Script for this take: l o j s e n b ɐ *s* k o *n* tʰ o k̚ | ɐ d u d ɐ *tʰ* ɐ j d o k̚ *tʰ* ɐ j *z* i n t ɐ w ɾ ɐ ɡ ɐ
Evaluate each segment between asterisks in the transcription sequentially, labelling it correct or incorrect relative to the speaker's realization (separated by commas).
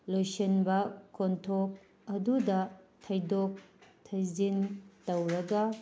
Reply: incorrect, correct, correct, correct, correct